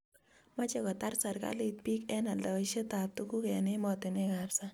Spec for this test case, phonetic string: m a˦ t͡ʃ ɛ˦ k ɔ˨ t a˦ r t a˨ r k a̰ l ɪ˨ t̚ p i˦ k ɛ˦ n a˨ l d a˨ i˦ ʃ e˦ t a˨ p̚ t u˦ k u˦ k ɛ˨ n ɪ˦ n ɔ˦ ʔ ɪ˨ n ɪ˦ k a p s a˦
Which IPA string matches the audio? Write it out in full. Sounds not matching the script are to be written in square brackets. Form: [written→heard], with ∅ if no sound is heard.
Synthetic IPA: m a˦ t͡ʃ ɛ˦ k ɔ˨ t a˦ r [t→s] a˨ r k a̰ l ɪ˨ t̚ p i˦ k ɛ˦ n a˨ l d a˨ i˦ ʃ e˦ t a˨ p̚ t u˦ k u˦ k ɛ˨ n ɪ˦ [n→m] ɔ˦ [ʔ→t] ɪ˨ n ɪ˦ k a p s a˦